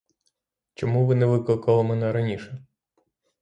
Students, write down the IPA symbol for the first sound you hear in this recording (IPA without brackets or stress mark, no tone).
t͡ʃ